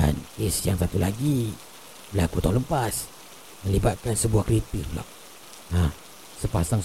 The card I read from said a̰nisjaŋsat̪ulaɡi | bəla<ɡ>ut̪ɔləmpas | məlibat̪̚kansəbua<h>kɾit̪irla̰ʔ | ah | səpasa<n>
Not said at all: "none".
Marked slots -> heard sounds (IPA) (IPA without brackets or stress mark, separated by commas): k, h, ŋ